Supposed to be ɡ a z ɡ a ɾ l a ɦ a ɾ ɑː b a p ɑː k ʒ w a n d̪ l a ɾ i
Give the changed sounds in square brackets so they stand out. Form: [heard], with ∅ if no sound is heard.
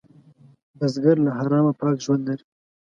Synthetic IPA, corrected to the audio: [b] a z ɡ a ɾ l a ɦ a ɾ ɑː [m] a p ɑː k ʒ w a n d̪ l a ɾ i